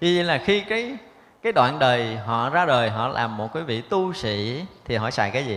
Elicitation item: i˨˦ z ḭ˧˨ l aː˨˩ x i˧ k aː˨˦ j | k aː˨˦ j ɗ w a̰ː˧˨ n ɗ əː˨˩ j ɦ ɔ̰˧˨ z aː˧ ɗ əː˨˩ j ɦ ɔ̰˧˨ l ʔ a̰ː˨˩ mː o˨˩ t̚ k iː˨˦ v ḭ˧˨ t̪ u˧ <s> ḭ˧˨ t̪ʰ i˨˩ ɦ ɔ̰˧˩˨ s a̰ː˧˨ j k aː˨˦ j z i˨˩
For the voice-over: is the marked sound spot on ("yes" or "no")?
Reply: yes